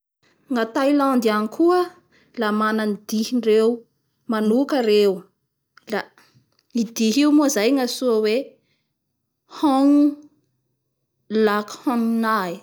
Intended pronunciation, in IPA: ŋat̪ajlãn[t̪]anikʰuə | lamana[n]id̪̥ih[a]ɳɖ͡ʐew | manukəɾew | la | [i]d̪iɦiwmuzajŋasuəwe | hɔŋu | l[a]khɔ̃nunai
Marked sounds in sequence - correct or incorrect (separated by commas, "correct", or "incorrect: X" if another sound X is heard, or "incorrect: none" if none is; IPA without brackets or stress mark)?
incorrect: d̪, correct, incorrect: i, correct, correct